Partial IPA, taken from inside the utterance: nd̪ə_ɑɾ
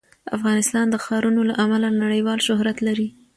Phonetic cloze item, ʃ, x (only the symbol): x